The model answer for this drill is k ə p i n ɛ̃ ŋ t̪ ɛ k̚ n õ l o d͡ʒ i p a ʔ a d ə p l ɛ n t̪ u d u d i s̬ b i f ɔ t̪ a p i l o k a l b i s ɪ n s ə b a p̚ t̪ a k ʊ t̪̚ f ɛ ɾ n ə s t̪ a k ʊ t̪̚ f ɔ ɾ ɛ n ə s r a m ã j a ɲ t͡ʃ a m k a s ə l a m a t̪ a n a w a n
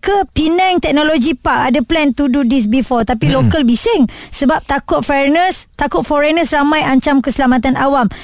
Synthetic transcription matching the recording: k ə p i n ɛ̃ ŋ t̪ ɛ k̚ n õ l o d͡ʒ i p a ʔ a d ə p l ɛ n t̪ u d u d i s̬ b i f ɔ t̪ a p i l o k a l b i s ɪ ŋ s ə b a p̚ t̪ a k ʊ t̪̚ f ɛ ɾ n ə s t̪ a k ʊ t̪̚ f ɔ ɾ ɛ n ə s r a m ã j a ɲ t͡ʃ a m k ə s ə l a m a t̪ a n a w a m